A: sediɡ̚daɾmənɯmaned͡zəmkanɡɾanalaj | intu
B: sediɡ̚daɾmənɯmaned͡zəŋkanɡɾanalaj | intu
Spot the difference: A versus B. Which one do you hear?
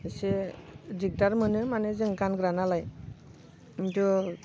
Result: B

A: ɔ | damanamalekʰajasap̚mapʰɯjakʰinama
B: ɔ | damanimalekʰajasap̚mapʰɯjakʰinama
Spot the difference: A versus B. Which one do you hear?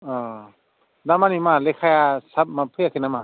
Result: B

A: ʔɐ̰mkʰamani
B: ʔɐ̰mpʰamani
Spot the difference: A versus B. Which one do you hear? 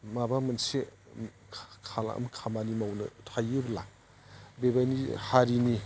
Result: A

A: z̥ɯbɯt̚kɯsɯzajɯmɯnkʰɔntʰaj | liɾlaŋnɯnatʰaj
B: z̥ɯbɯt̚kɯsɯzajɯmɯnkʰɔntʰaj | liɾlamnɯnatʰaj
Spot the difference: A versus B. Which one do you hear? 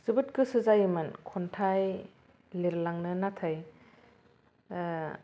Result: A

